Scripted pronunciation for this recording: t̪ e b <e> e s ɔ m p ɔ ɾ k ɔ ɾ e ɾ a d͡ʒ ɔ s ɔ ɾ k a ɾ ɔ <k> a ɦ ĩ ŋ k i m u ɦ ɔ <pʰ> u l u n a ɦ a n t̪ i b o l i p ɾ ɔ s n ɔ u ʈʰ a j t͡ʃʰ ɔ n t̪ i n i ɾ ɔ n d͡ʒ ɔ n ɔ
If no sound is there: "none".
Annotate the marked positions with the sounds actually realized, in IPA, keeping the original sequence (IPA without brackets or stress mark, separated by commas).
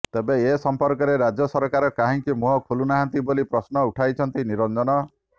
e, k, kʰ